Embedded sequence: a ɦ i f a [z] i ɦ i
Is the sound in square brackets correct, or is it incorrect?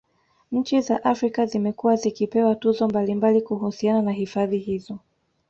incorrect